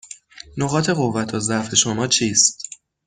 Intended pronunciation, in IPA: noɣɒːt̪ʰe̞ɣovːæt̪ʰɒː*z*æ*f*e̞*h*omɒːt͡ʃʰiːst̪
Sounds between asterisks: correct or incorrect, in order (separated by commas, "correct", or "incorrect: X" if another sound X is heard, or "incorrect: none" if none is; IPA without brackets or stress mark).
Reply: correct, correct, incorrect: ʃ